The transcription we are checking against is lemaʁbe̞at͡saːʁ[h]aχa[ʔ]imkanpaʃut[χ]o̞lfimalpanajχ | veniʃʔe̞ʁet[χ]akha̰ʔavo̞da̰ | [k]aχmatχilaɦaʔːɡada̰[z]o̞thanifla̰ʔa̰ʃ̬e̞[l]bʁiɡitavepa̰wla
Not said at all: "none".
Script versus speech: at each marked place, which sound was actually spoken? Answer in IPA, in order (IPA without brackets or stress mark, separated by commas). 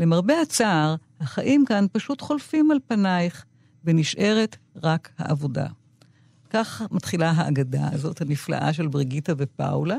h, ʔ, χ, ʁ, k, z, l